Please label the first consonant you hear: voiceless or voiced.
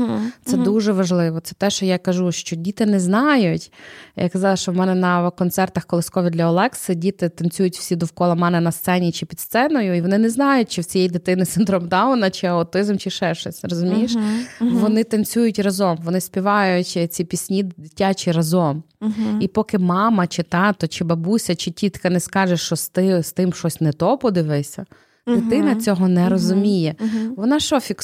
voiceless